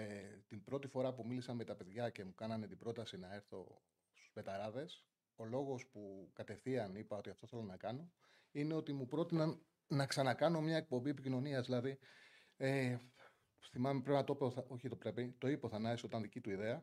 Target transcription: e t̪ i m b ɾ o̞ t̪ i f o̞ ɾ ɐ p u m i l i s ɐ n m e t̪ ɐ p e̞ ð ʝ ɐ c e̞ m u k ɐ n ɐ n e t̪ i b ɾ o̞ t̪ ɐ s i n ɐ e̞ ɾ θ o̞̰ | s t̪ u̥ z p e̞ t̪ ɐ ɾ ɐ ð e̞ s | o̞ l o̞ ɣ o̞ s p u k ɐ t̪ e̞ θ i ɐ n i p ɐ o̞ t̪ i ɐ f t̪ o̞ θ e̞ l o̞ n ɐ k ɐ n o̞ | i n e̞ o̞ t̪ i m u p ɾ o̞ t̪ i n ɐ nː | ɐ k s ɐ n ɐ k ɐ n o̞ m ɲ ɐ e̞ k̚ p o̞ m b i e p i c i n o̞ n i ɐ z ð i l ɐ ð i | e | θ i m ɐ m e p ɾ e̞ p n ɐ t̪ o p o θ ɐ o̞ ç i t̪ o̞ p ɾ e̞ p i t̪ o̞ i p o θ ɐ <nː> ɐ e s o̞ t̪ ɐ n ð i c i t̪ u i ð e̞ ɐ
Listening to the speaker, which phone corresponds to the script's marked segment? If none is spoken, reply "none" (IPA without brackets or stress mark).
n